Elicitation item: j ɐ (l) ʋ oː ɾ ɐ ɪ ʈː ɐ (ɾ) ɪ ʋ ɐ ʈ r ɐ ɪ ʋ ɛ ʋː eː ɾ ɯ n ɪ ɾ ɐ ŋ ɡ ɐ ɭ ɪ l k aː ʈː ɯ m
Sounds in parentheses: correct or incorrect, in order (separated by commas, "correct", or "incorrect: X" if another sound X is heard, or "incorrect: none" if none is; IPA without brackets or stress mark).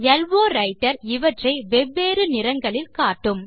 correct, correct